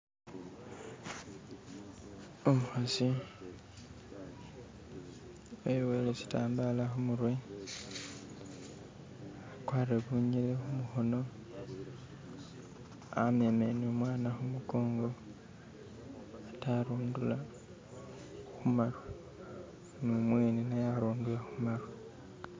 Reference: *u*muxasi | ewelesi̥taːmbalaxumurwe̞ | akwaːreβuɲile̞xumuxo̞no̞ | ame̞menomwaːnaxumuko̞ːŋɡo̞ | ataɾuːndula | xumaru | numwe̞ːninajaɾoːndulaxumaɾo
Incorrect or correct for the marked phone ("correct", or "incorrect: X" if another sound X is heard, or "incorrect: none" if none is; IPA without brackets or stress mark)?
incorrect: o